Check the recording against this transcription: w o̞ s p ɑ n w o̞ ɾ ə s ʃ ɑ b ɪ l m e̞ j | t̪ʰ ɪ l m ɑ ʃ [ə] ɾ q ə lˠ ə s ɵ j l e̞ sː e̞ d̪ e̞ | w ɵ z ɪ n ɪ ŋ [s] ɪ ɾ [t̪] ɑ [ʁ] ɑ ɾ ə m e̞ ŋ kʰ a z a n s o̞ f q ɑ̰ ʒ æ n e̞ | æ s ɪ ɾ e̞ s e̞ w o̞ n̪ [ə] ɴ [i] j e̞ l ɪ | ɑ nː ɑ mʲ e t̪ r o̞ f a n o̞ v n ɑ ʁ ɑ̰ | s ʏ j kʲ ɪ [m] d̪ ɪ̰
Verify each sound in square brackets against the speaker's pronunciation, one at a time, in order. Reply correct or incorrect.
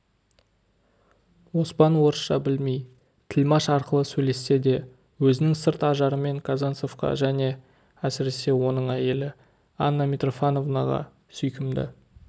incorrect: ɑ, correct, correct, incorrect: ʒ, correct, incorrect: æ, correct

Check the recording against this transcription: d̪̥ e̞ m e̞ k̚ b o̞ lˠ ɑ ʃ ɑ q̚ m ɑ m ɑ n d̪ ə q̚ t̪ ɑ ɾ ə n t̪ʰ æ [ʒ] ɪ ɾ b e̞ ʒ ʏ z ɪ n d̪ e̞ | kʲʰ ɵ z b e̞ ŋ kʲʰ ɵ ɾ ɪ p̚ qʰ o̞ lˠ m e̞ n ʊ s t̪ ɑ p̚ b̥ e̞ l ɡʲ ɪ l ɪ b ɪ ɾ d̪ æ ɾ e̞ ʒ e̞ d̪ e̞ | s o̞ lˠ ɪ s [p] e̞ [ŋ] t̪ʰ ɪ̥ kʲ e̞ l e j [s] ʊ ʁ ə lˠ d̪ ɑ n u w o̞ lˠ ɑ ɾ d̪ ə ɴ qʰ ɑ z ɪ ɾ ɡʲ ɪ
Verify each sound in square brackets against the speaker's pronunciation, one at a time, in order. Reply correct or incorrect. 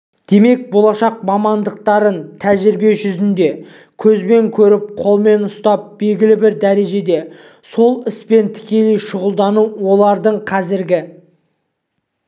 correct, correct, incorrect: n, incorrect: ʃ

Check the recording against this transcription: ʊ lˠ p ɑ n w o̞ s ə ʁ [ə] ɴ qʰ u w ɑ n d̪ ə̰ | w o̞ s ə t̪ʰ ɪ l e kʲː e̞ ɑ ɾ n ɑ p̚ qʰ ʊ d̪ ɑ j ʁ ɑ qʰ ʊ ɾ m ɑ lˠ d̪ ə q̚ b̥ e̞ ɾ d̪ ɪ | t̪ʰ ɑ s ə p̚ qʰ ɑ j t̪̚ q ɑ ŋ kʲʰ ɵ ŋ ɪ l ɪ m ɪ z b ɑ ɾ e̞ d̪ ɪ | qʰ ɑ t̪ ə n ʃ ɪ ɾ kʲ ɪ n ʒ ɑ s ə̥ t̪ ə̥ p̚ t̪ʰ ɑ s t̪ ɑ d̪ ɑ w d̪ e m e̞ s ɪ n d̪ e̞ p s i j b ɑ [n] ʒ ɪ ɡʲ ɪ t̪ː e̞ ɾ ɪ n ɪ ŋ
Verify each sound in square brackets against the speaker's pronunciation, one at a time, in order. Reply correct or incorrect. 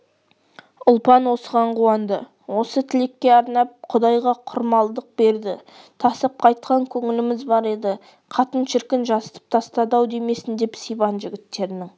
incorrect: ɑ, correct

